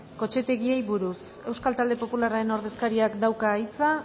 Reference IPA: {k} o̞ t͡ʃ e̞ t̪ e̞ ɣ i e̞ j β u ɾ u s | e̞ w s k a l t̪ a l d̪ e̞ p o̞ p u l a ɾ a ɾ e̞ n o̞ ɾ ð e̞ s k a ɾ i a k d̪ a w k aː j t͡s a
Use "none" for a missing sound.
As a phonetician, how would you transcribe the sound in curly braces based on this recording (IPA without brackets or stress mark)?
k